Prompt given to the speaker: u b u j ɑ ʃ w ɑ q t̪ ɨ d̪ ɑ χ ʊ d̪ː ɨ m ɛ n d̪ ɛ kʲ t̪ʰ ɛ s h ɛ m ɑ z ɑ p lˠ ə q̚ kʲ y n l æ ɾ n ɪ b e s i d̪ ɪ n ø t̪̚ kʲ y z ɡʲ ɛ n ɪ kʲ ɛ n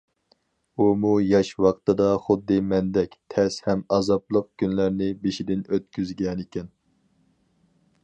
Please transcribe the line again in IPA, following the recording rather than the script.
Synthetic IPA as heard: u m u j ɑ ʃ w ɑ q t̪ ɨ d̪ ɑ χ ʊ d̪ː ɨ m ɛ n d̪ ɛ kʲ t̪ʰ ɛ s h ɛ m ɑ z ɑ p lˠ ə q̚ kʲ y n l æ ɾ n ɪ b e ʃ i d̪ ɪ n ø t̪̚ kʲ y z ɡʲ ɛ n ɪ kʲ ɛ n

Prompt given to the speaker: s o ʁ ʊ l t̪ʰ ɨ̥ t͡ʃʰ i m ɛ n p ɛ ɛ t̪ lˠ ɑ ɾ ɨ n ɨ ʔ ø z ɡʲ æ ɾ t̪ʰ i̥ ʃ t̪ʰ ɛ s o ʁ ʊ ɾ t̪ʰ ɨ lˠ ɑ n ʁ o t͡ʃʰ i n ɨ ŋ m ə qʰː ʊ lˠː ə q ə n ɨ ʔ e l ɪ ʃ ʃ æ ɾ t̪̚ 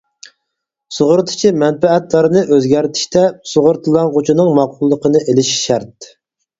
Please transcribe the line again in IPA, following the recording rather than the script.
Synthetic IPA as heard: s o ʁ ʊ ɾ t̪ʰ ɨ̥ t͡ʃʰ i m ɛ n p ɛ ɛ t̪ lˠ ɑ ɾ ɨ n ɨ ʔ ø z ɡʲ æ ɾ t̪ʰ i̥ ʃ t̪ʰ ɛ s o ʁ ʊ ɾ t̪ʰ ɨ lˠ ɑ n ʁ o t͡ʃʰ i n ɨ ŋ m ɑ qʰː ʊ lˠː ə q ə n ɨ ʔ e l ɪ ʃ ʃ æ ɾ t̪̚

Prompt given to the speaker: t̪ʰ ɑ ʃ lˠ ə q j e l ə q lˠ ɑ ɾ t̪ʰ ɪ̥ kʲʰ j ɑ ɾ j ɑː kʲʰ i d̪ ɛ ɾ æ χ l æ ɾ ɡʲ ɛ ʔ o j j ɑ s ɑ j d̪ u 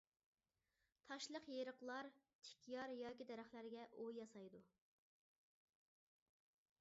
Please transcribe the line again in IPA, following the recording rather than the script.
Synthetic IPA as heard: t̪ʰ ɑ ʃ lˠ ə q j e ɾ ə q lˠ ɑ ɾ t̪ʰ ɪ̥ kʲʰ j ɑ ɾ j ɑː kʲ i d̪ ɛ ɾ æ χ l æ ɾ ɡʲ ɛ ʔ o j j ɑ s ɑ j d̪ u

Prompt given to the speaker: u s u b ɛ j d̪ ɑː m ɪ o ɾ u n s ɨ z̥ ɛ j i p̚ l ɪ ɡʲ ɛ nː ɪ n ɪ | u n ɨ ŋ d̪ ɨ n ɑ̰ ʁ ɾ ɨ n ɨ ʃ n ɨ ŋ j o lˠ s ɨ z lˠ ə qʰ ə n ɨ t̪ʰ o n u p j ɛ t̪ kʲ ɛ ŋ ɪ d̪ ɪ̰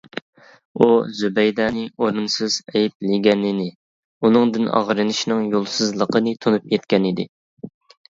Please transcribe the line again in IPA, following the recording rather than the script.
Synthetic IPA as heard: u z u b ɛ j d̪ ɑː n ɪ o ɾ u n s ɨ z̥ ɛ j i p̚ l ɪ ɡʲ ɛ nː ɪ n ɪ | u n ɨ ŋ d̪ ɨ n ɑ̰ ʁ ɾ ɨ n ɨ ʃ n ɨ ŋ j o lˠ s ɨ z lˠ ə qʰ ə n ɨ t̪ʰ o n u p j ɛ t̪ kʲ ɛ n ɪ d̪ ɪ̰

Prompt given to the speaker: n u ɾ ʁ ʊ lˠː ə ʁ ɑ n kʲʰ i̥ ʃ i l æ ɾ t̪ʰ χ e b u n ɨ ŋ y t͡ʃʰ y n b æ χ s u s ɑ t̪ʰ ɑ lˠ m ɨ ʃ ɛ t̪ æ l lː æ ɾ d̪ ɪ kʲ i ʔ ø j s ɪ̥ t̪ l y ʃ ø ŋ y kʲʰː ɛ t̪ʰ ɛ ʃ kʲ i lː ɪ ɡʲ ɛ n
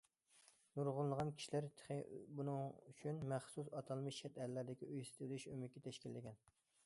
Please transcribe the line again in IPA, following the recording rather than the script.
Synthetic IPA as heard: n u ɾ ʁ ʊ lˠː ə ʁ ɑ n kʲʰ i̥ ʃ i l æ ɾ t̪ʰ χ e b u n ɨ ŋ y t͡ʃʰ y n m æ χ s u s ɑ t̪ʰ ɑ lˠ m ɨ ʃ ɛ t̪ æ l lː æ ɾ d̪ ɪ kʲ i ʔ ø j s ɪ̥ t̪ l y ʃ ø m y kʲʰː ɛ t̪ʰ ɛ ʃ kʲ i lː ɪ ɡʲ ɛ n

